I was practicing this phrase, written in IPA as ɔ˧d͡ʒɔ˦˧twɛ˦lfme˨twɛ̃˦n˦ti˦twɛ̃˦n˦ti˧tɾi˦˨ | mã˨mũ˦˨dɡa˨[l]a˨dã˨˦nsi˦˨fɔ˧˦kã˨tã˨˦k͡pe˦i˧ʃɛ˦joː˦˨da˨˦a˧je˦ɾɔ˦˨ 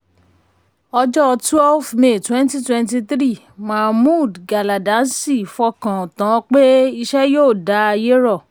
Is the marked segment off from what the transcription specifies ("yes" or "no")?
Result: no